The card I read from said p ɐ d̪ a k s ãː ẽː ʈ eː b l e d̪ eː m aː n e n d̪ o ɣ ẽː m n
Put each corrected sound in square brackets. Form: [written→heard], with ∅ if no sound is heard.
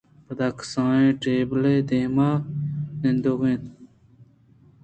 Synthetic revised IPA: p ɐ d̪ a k s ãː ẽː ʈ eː b l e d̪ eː m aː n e n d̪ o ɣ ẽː [m→∅] n